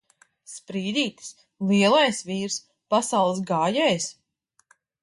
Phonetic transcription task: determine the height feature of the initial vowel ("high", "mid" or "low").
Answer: high